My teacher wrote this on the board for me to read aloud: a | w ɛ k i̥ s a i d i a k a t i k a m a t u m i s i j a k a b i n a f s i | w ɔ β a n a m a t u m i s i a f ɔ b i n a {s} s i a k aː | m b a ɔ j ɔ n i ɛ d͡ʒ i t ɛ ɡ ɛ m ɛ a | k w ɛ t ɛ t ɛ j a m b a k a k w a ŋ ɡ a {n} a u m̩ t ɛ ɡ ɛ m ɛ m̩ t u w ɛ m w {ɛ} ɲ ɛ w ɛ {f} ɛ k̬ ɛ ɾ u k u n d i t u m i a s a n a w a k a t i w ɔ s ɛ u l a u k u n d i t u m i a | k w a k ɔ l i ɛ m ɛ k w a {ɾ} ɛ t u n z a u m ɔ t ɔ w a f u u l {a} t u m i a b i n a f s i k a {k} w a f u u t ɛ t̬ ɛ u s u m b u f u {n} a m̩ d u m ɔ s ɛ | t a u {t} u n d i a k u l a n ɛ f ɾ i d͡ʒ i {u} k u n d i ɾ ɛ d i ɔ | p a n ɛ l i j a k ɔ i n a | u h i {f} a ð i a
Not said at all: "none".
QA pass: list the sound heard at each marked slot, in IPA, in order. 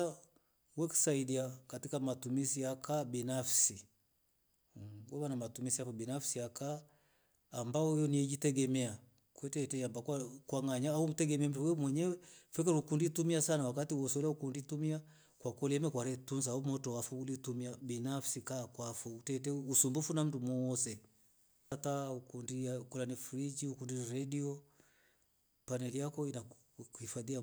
f, ɲ, ɛ, f, ɾ, i, k, n, k, u, f

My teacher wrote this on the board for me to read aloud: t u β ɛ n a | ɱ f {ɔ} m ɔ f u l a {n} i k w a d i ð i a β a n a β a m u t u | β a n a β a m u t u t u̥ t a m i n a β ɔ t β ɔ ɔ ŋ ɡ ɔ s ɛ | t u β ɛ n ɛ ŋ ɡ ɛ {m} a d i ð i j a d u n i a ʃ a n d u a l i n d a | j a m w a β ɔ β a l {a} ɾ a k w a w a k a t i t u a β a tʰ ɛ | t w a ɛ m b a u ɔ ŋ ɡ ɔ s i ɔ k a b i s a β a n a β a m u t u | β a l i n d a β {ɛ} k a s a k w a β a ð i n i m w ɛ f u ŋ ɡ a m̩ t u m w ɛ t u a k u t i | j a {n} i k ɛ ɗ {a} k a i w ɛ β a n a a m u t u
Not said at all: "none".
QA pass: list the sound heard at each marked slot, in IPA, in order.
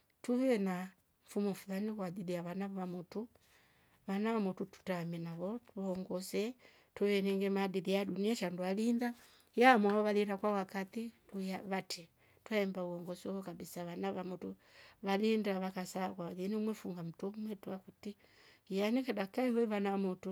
u, n, m, i, a, n, a

